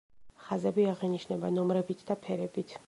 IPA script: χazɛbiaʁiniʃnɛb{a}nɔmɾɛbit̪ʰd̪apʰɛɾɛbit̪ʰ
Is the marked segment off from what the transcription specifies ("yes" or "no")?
no